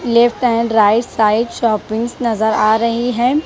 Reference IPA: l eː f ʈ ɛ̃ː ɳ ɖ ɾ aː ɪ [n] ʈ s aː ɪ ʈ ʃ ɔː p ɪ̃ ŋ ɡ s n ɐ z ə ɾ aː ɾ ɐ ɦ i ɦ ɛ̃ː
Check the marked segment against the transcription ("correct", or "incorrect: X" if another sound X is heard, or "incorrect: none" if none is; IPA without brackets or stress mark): incorrect: none